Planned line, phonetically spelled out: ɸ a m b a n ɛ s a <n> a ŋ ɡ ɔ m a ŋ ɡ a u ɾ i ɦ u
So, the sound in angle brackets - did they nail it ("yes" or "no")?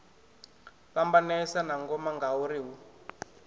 yes